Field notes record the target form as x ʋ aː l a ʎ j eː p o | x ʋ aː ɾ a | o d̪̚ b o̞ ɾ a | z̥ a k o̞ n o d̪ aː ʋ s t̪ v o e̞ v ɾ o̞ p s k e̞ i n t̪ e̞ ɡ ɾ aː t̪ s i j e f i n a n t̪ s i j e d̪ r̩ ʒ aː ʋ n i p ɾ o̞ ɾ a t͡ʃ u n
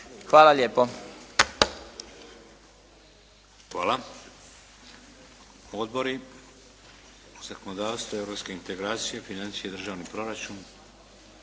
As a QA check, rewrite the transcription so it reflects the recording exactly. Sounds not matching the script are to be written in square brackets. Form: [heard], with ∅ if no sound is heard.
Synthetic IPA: x ʋ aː l a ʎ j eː p o | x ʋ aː [l] a | o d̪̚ b o̞ ɾ [i] | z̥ a k o̞ n o d̪ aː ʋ s t̪ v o e̞ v ɾ o̞ p s k e̞ i n t̪ e̞ ɡ ɾ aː t̪ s i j e f i n a n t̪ s i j e d̪ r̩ ʒ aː ʋ n i p ɾ o̞ ɾ a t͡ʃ u n